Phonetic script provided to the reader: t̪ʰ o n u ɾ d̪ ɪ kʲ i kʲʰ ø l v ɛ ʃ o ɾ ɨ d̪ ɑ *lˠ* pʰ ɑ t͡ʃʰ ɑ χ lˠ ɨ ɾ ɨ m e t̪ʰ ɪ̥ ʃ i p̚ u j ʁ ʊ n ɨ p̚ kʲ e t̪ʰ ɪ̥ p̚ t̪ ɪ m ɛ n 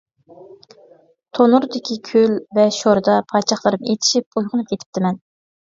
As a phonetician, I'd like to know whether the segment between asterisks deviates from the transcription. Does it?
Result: yes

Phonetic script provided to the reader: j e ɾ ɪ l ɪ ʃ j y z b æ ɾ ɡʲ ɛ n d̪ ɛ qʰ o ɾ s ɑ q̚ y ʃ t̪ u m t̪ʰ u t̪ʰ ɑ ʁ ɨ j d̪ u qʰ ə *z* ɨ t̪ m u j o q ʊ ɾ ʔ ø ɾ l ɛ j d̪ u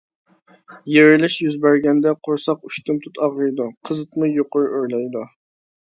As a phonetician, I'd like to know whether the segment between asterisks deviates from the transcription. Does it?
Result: no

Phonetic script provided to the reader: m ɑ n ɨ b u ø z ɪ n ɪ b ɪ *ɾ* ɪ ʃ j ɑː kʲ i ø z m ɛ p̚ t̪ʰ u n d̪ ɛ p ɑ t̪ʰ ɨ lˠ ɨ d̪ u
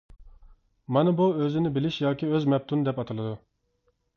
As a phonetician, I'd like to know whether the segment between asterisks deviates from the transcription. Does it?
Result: yes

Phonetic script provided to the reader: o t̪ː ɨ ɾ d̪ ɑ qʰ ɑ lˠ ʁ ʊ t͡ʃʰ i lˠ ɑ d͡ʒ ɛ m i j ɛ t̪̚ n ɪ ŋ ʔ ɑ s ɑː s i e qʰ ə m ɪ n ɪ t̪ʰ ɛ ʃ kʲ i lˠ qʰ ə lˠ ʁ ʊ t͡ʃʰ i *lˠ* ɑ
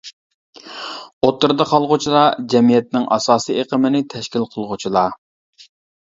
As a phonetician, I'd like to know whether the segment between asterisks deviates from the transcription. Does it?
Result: no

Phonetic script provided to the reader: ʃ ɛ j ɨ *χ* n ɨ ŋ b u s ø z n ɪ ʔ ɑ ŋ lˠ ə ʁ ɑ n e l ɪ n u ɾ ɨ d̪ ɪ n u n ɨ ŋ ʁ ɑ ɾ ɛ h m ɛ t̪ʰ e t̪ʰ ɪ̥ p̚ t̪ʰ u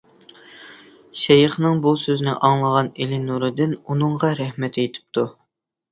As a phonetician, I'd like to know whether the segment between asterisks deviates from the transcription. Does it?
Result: no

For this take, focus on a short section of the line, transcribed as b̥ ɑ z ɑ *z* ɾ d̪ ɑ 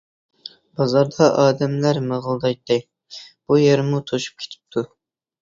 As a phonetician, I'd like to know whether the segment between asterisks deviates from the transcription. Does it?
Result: yes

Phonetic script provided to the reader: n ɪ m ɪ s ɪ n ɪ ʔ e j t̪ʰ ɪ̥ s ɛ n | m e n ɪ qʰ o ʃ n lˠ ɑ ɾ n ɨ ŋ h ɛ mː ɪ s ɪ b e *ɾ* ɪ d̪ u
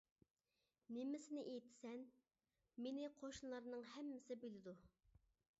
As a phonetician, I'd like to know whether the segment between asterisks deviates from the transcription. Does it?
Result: yes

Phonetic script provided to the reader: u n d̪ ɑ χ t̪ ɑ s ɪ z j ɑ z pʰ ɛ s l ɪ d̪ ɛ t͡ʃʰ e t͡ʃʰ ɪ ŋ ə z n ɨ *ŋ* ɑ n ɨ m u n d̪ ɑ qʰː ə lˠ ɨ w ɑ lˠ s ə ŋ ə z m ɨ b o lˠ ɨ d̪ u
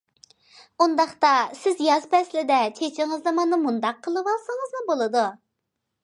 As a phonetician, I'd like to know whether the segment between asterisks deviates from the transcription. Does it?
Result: yes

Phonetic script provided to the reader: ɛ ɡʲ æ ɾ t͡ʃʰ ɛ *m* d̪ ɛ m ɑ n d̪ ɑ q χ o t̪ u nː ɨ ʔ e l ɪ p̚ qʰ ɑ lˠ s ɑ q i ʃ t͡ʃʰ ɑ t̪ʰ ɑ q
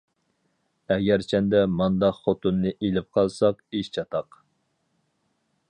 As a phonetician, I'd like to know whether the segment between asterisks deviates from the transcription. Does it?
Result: yes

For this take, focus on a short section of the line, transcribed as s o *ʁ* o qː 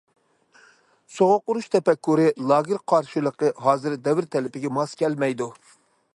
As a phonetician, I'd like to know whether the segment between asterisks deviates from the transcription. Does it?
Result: no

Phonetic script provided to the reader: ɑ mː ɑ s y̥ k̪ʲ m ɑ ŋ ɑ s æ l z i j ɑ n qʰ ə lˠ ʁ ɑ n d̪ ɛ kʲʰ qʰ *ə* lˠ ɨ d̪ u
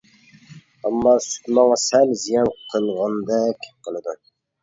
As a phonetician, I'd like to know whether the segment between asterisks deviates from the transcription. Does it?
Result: no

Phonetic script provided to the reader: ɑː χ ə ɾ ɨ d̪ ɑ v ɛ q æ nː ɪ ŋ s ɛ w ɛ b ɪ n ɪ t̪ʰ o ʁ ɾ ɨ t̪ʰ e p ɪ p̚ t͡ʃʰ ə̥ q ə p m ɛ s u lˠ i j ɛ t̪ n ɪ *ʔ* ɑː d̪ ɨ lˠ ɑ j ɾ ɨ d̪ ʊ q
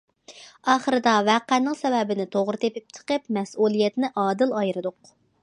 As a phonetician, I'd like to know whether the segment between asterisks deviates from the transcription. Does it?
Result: no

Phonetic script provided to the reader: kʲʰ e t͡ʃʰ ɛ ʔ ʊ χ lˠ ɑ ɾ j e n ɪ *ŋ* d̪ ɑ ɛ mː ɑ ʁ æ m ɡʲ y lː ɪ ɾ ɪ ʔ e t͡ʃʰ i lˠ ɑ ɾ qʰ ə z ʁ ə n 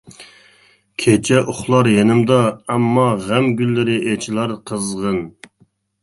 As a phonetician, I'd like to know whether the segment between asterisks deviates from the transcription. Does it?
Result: yes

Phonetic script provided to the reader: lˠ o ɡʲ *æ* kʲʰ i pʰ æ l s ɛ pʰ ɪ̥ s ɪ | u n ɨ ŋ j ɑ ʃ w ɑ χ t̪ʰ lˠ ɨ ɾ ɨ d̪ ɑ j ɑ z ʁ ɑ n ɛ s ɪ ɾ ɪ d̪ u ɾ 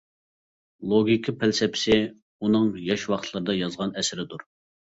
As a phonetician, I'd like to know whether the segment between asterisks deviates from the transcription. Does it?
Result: yes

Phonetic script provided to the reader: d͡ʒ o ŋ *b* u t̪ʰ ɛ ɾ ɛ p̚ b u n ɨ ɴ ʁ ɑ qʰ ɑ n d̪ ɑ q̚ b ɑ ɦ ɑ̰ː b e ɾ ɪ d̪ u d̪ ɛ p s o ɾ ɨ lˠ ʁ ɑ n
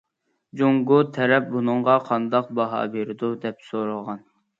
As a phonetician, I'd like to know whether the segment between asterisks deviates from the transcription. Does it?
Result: yes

